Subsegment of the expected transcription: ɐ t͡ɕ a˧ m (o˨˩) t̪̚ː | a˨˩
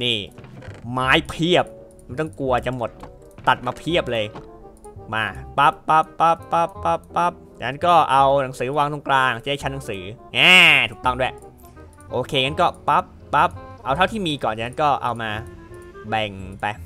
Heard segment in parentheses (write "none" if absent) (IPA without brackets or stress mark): o˨˩